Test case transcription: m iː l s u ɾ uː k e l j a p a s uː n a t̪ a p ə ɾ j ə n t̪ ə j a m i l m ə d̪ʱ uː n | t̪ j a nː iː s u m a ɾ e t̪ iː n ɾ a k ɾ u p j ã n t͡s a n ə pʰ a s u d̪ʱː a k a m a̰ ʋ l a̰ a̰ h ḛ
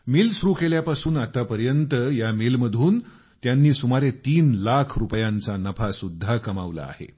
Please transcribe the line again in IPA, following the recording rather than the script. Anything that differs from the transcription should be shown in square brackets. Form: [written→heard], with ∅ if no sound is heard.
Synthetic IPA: m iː l s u ɾ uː k e l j a p a s uː n a t̪ a p ə ɾ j ə n t̪ ə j a m i l m ə d̪ʱ uː n | t̪ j a nː iː s u m a ɾ e t̪ iː n [ɾ→l] a [k→kʰ] ɾ u p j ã n t͡s a n ə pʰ a s u d̪ʱː a k [a→ə] m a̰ ʋ l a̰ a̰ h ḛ